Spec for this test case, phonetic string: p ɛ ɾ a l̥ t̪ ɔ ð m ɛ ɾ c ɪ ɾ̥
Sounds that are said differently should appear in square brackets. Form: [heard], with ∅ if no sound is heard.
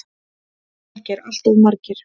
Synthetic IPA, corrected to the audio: [c] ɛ ɾ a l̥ t̪ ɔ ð m [a] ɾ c ɪ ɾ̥